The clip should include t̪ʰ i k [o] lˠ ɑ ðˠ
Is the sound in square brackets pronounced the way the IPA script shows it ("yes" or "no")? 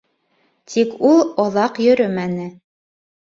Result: no